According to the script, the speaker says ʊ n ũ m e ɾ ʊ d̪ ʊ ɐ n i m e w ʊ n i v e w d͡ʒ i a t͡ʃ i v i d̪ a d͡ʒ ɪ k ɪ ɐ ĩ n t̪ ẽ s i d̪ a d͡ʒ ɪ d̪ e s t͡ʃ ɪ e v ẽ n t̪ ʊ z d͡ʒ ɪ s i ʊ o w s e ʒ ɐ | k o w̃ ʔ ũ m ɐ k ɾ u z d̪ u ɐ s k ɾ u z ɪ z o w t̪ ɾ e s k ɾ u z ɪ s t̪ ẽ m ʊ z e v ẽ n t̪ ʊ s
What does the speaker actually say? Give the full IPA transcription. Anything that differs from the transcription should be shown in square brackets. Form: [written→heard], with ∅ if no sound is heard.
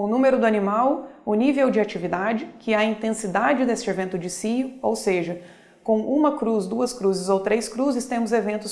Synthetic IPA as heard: ʊ n ũ m e ɾ ʊ d̪ ʊ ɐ n i m [e→a] w ʊ n i v e w d͡ʒ [i→ɪ] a t͡ʃ i v i d̪ a d͡ʒ ɪ k ɪ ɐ ĩ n t̪ ẽ s i d̪ a d͡ʒ ɪ d̪ e s t͡ʃ ɪ e v ẽ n t̪ ʊ [z→∅] d͡ʒ ɪ s i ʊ o w s e ʒ ɐ | k [o→õ] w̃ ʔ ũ m ɐ k ɾ u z d̪ u ɐ s k ɾ u z ɪ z o w t̪ ɾ e s k ɾ u z ɪ s t̪ ẽ m ʊ z e v ẽ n t̪ ʊ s

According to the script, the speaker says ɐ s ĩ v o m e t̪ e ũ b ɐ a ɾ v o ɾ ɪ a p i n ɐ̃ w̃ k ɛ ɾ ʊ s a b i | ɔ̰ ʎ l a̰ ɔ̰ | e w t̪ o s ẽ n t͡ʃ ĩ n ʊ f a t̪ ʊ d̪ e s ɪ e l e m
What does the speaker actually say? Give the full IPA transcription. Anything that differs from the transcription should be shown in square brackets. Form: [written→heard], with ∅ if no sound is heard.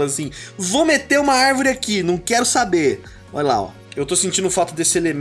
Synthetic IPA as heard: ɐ s ĩ v o m e t̪ e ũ [b→m] ɐ a ɾ v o ɾ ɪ a [p→k] i n ɐ̃ w̃ k ɛ ɾ ʊ s a b [i→e] | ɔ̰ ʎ l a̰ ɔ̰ | e w t̪ o s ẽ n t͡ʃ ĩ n ʊ f a t̪ ʊ d̪ e s ɪ e l e m

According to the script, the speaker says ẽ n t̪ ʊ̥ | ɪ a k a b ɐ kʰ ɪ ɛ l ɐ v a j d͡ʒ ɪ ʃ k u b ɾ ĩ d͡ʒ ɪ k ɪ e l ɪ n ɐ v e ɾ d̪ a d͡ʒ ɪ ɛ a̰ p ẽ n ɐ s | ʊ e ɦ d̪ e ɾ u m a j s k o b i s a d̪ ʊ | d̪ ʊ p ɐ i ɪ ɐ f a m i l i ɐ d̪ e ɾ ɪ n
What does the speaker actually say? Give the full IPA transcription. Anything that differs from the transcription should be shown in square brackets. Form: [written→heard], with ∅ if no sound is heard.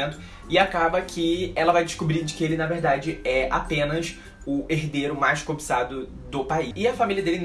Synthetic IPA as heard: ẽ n t̪ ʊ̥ | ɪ a k a b ɐ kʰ ɪ ɛ l ɐ v a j d͡ʒ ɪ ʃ k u b ɾ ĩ d͡ʒ ɪ k ɪ e l ɪ n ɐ v e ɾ d̪ a d͡ʒ ɪ ɛ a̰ p ẽ n ɐ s | ʊ e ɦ d̪ e ɾ [u→ʊ] m a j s k o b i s a d̪ ʊ | d̪ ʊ p [ɐ→a] i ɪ ɐ f a m i l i ɐ d̪ e [ɾ→l] ɪ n

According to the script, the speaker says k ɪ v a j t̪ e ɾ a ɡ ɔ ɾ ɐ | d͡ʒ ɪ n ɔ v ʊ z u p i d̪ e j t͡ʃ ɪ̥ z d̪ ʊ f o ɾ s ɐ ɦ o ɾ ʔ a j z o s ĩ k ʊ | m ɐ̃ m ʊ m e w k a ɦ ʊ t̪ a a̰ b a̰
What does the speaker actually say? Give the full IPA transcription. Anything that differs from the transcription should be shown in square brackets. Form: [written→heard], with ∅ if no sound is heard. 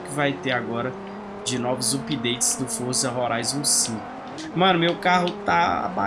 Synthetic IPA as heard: k ɪ v a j t̪ e ɾ a ɡ ɔ ɾ ɐ | d͡ʒ ɪ n ɔ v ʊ z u p i d̪ e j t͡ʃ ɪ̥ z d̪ ʊ f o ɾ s ɐ ɦ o ɾ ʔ a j z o s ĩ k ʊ | m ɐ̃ [m→n] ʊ m e w k a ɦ ʊ t̪ a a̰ b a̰

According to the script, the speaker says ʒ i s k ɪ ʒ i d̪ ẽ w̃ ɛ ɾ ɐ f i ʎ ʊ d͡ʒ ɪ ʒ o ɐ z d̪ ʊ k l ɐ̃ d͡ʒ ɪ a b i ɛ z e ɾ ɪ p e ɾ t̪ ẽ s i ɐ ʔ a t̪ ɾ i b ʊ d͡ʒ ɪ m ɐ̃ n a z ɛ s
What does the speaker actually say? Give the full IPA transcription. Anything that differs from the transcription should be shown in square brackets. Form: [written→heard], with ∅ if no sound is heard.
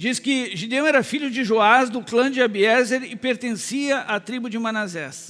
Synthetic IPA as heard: [ʒ→d͡ʒ] i s k ɪ ʒ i d̪ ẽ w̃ ɛ ɾ ɐ f i ʎ ʊ d͡ʒ ɪ ʒ o [ɐ→a] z d̪ ʊ k l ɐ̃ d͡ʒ ɪ a b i ɛ z e ɾ ɪ p e ɾ t̪ ẽ s i ɐ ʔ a t̪ ɾ i b ʊ d͡ʒ ɪ m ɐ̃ n a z ɛ s

